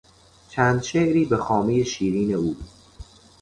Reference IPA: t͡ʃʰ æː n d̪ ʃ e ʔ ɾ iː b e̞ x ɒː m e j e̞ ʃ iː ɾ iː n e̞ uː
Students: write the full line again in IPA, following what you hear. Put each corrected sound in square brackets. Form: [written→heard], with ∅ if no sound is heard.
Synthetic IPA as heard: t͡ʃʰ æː n d̪ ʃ e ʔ ɾ iː b e̞ x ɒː m e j e̞ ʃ iː ɾ iː n e̞ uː